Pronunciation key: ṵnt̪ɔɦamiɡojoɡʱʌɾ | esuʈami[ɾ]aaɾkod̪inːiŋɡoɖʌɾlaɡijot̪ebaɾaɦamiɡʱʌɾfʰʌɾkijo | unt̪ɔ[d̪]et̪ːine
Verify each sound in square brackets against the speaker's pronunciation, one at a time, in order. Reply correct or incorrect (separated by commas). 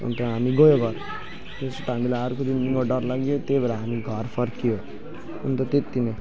incorrect, incorrect